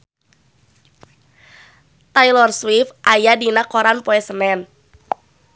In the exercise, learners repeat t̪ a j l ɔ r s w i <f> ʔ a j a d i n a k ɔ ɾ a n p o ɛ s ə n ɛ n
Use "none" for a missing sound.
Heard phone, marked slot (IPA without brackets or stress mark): f